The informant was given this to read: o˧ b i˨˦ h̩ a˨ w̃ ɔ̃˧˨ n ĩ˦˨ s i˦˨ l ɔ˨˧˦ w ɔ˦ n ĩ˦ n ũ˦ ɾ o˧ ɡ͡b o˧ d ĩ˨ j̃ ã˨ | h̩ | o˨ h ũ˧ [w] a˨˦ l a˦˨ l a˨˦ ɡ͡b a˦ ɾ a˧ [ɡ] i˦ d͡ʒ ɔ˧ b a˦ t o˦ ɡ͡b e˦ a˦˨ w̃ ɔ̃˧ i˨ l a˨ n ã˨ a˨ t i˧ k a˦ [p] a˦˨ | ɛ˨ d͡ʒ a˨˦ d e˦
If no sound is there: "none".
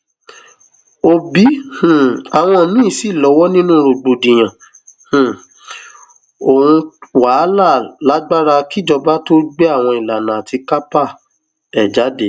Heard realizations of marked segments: w, k, p

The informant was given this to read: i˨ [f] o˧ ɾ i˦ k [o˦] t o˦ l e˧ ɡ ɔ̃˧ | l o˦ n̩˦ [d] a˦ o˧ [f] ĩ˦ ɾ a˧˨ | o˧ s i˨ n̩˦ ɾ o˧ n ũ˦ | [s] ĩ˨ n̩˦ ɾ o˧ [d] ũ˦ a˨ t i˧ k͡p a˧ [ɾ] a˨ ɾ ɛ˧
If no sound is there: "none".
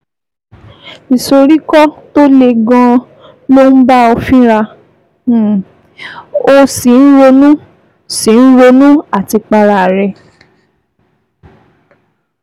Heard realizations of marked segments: s, ɔ˦, b, f, s, n, ɾ

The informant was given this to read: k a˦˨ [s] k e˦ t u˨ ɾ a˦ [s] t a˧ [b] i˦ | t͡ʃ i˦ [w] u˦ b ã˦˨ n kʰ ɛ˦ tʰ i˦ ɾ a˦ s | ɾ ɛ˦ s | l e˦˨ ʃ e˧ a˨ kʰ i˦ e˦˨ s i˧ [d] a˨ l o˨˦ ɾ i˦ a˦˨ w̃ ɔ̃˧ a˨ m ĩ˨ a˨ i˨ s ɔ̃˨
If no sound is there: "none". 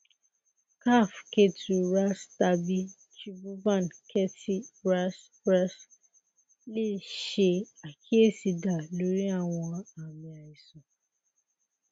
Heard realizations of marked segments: f, s, b, b, d

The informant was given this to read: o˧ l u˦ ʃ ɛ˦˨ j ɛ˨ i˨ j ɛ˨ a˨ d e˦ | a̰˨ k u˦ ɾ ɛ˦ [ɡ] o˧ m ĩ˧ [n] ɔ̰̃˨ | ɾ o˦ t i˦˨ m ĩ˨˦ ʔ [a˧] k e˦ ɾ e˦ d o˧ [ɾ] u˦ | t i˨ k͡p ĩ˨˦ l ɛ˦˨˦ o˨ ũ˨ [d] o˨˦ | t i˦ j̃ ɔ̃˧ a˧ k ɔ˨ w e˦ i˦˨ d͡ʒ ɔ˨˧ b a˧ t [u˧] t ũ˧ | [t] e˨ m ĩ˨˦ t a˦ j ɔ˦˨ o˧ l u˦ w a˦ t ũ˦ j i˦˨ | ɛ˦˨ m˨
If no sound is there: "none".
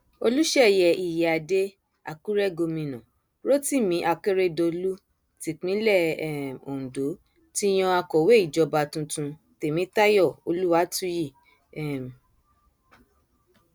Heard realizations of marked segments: ɡ, n, a˧, l, d, ũ˧, t

